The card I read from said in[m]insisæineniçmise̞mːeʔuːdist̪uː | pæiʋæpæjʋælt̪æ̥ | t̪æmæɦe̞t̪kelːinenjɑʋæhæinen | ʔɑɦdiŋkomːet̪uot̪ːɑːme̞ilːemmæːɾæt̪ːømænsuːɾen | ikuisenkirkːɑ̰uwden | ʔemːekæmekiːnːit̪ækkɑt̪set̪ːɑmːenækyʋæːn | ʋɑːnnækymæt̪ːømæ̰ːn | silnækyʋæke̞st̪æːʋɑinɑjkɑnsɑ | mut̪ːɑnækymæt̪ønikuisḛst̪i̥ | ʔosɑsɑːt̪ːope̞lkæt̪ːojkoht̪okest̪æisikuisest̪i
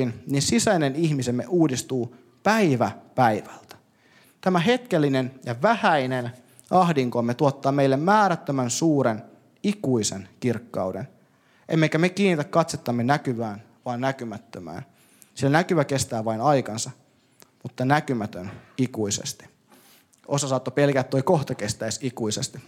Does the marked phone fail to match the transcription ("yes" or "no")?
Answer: yes